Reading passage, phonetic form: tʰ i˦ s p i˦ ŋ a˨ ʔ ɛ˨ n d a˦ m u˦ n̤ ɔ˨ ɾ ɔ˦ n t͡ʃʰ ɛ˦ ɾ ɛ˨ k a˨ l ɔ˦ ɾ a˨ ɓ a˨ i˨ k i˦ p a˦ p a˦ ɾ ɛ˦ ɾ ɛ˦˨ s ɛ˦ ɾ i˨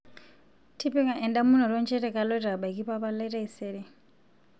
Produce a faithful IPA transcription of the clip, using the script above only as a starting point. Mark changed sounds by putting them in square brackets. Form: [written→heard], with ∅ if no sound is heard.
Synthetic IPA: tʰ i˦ [s→∅] p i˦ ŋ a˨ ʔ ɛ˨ n d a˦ m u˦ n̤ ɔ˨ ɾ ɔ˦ n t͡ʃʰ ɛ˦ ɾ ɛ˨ k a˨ l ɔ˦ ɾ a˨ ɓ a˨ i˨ k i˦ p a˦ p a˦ [ɾ→l] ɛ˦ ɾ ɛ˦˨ s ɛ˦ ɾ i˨